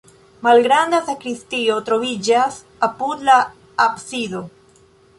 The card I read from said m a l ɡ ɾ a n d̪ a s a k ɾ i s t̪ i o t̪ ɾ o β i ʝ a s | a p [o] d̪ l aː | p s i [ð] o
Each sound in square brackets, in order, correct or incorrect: incorrect: u, correct

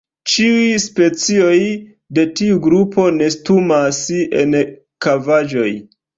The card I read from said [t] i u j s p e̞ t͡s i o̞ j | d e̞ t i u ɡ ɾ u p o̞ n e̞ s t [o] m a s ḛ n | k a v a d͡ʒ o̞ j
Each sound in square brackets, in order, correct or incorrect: incorrect: t͡ʃ, incorrect: u

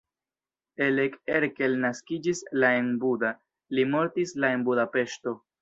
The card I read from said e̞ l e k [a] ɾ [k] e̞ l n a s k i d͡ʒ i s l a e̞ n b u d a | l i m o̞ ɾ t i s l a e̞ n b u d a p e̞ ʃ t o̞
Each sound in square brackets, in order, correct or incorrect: incorrect: e, correct

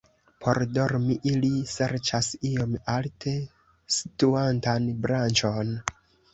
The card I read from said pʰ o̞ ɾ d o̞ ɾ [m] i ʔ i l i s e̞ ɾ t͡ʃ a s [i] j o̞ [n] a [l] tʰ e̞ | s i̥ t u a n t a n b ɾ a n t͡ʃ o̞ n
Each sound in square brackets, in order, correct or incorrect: correct, correct, incorrect: m, correct

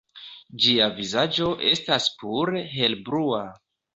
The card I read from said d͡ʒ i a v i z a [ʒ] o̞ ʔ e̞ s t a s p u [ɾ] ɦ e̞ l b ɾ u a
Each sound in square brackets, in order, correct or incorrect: incorrect: d͡ʒ, correct

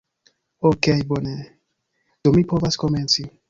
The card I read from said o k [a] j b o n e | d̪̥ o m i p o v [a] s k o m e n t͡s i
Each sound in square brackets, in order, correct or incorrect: incorrect: e, correct

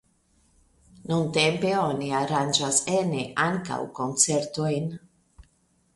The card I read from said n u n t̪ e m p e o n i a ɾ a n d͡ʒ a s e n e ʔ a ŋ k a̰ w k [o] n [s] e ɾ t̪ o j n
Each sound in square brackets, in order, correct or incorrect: correct, incorrect: t͡s

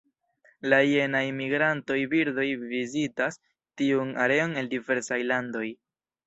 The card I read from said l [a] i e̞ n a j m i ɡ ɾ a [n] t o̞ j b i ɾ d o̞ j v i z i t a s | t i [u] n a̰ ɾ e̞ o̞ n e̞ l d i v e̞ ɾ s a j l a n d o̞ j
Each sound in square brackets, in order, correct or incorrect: correct, correct, correct

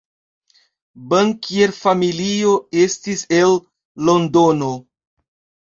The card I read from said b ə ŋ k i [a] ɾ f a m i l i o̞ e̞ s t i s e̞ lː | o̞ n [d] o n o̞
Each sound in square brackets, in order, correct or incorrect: incorrect: e, correct

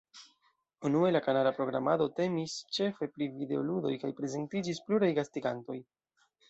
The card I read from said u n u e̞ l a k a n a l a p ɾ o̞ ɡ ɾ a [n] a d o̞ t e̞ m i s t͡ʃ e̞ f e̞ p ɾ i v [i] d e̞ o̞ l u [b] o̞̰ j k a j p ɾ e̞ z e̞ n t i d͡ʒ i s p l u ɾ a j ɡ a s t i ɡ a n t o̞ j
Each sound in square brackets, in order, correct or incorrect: incorrect: m, correct, incorrect: d

